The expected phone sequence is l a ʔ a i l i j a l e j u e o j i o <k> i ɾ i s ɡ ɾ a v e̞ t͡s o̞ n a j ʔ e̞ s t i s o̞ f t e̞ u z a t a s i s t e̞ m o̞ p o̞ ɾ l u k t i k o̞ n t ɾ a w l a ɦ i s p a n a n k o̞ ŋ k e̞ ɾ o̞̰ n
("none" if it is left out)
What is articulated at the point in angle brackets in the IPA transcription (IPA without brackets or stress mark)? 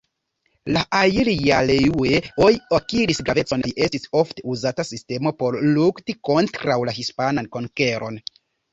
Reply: k